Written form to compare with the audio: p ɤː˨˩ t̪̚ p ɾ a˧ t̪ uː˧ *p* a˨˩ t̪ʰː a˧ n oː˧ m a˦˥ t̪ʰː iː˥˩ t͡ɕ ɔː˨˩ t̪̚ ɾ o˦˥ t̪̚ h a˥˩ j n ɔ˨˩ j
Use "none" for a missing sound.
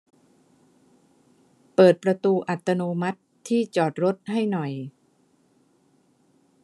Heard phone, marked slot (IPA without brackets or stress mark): ʔ